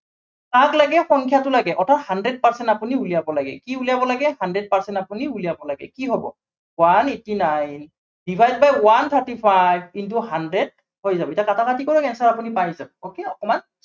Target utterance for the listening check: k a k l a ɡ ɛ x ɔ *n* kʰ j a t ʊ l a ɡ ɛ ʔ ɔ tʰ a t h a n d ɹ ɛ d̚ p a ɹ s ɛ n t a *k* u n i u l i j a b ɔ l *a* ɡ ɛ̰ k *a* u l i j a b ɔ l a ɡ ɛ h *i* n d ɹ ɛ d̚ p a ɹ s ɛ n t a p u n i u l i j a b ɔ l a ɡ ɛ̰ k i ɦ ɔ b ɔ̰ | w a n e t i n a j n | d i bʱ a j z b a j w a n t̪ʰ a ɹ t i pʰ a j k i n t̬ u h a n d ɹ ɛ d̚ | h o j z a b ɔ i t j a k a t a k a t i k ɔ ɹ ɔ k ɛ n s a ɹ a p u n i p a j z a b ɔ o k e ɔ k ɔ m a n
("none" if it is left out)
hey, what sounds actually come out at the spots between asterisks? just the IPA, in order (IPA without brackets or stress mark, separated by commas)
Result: ŋ, p, a, i, a